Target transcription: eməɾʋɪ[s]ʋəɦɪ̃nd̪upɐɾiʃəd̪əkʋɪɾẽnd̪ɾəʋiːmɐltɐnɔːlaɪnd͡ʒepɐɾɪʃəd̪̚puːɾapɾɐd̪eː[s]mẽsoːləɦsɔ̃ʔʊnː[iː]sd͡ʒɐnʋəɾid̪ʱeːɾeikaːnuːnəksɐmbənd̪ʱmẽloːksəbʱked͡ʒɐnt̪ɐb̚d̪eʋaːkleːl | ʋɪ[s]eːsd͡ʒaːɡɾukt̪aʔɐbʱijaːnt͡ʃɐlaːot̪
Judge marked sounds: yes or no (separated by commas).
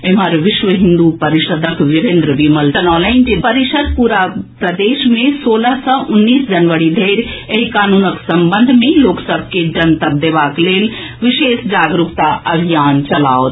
no, no, yes, no